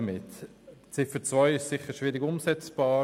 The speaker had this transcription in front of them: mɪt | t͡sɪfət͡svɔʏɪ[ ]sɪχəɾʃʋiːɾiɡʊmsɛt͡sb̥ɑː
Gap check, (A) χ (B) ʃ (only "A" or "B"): B